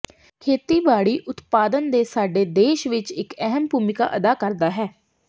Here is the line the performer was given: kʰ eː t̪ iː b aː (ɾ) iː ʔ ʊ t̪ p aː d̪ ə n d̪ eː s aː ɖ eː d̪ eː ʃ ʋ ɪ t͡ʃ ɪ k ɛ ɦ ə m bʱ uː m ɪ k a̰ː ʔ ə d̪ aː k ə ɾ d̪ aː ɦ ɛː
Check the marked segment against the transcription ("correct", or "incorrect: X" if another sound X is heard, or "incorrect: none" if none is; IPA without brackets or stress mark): incorrect: ɽ